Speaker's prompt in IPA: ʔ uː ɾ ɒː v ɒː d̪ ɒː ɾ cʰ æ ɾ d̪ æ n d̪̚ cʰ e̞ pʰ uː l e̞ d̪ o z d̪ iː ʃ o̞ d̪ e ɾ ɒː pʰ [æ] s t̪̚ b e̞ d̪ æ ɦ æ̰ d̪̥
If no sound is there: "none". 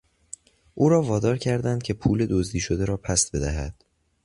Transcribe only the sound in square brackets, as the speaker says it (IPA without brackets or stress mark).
æ